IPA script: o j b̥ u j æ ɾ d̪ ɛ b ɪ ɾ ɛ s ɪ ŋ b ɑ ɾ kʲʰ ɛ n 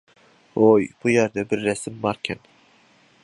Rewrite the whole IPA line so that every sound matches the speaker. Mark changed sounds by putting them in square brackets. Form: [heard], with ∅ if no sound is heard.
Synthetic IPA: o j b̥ u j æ ɾ d̪ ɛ b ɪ [ɾː] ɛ s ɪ [m] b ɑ ɾ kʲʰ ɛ n